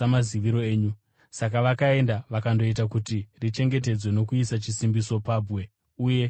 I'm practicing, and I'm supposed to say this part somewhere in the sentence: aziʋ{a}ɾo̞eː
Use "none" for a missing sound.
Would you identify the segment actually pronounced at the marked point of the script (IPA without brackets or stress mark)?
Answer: i